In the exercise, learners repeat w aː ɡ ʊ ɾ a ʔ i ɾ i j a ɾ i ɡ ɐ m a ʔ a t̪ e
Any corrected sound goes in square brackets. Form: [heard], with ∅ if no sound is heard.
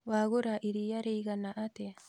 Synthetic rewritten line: w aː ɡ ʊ ɾ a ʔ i ɾ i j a ɾ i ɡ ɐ [n] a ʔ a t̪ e